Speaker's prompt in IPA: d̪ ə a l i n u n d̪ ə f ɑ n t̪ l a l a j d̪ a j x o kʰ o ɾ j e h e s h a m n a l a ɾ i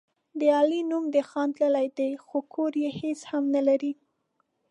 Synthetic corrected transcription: d̪ ə ɑ l i n u m d̪ ə x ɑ n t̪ l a l a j d̪ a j x o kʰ o ɾ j e h e s h a m n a l a ɾ i